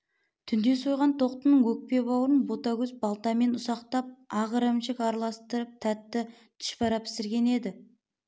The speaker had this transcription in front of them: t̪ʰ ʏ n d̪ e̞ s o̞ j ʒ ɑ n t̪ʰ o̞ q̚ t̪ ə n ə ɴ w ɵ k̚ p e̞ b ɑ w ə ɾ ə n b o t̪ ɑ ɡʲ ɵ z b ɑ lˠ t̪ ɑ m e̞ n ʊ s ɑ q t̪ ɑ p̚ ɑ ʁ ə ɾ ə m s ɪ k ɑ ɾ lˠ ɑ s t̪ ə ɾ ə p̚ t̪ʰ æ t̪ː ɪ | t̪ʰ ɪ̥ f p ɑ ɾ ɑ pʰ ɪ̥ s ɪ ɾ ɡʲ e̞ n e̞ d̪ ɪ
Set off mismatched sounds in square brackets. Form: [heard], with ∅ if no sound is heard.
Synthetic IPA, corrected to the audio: t̪ʰ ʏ n d̪ e̞ s o̞ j [ʁ] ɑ n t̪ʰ o̞ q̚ t̪ ə n ə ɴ w ɵ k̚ p e̞ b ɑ w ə ɾ ə n b o t̪ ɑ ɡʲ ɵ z b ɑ lˠ t̪ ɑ m e̞ n ʊ s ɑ q t̪ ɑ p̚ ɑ ʁ ə ɾ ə m [ʃ] ɪ k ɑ ɾ lˠ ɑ s t̪ ə ɾ ə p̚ t̪ʰ æ t̪ː ɪ | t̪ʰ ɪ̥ [ʃ] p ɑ ɾ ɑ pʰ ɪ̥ s ɪ ɾ ɡʲ e̞ n e̞ d̪ ɪ